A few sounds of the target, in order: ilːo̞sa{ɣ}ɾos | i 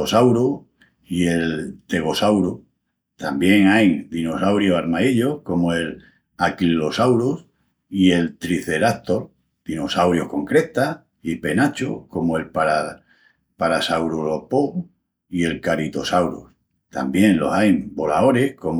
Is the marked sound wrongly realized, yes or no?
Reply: yes